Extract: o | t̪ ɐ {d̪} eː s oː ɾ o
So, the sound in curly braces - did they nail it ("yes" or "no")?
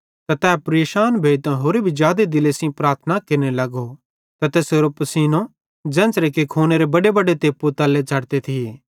no